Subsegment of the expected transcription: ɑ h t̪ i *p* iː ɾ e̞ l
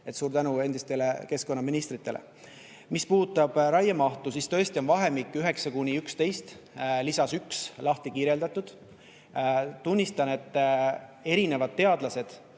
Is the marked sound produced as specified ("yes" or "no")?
no